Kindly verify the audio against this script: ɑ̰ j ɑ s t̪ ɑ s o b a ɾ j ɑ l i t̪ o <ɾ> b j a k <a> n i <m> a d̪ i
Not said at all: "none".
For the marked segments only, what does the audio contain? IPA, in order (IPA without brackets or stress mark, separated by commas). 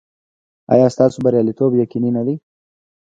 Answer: none, i, n